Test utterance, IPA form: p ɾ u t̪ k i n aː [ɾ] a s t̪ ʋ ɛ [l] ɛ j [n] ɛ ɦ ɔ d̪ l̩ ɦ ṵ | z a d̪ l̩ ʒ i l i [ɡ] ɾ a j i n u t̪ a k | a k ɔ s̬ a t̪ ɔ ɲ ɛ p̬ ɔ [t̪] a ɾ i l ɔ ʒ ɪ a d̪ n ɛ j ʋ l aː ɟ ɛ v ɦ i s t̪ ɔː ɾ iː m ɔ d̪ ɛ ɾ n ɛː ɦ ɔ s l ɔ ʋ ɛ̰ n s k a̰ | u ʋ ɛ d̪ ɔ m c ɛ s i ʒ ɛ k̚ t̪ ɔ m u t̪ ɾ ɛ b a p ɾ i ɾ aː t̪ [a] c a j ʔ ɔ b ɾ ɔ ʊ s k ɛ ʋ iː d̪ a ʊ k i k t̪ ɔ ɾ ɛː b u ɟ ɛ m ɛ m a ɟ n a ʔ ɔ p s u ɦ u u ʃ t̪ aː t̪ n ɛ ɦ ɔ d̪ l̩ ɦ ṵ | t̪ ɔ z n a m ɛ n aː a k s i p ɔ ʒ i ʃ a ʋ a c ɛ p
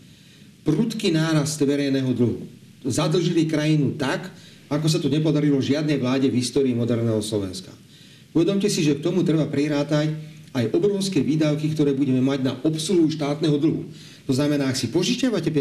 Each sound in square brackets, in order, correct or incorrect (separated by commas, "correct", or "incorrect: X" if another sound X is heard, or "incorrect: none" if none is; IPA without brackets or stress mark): correct, incorrect: ɾ, correct, incorrect: k, incorrect: d̪, correct